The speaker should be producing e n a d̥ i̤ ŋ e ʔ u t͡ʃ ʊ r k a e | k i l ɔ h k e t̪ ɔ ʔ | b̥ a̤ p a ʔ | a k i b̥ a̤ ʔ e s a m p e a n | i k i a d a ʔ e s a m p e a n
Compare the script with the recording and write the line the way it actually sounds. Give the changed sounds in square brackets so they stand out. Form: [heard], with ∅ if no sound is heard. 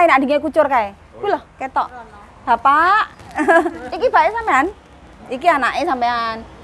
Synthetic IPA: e n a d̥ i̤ ŋ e [k] u t͡ʃ ʊ r k a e | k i l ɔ h k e t̪ ɔ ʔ | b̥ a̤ p a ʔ | [i] k i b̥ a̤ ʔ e s a m p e a n | i k i a [n] a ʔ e s a m p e a n